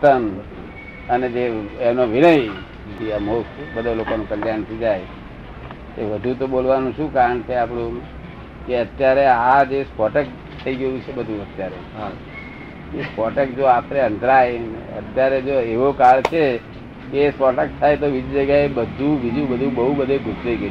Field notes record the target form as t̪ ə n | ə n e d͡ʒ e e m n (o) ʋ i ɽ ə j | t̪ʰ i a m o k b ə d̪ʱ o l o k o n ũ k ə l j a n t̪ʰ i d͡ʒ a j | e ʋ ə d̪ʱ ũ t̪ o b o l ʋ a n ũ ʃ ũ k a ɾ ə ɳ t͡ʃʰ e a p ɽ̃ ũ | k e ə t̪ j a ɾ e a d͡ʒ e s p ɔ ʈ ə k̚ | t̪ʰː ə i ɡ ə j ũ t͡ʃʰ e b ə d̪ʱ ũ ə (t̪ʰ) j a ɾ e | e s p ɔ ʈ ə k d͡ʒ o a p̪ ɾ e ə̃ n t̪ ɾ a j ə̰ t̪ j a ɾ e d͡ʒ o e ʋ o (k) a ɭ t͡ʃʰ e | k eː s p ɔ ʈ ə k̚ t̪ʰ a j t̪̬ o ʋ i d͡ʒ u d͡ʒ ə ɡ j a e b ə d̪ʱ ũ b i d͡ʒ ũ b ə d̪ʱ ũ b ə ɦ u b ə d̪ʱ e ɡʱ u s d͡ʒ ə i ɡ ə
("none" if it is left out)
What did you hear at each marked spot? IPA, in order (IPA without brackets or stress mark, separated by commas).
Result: o, t̪, k